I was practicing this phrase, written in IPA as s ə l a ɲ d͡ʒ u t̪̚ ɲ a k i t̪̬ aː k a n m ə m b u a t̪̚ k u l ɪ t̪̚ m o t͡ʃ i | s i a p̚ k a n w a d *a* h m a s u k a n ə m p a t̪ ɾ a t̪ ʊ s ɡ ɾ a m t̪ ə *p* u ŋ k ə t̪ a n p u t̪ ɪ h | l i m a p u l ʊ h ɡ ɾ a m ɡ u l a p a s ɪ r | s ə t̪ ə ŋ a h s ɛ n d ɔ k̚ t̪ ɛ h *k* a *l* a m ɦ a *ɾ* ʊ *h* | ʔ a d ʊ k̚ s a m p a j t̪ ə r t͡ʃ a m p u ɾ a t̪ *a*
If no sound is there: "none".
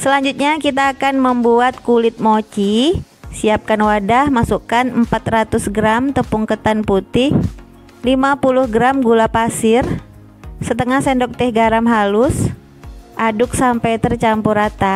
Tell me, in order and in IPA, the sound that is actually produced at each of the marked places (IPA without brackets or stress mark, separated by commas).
a, p, ɡ, ɾ, l, s, a